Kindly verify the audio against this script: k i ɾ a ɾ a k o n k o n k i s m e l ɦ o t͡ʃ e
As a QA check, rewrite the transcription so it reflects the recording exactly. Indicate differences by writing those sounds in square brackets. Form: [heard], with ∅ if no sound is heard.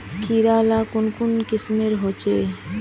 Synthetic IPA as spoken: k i ɾ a [l] a k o n k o n k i s m e [ɾ] ɦ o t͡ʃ e